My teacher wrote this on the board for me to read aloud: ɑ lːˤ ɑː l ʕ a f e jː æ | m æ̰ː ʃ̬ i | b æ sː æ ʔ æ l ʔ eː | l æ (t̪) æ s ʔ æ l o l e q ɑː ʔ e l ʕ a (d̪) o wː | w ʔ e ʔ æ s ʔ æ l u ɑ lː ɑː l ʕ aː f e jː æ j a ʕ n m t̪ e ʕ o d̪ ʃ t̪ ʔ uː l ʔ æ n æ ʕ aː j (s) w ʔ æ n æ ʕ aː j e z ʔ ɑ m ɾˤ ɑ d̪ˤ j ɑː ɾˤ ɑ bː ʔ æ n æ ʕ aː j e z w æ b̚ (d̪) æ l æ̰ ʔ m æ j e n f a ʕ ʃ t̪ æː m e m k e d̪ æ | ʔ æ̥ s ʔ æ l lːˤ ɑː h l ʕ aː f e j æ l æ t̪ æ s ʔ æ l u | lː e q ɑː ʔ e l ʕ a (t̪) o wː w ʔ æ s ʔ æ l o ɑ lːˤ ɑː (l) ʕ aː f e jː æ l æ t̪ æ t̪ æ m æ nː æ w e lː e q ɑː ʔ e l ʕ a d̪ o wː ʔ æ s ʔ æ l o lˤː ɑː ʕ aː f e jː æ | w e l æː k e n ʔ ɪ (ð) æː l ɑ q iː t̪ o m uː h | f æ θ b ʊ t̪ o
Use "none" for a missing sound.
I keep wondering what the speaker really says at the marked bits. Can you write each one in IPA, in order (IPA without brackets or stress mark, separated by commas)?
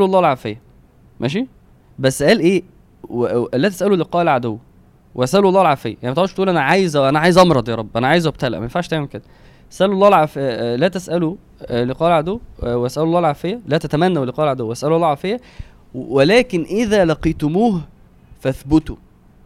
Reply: t̪, d̪, z, t̪, d̪, l, ð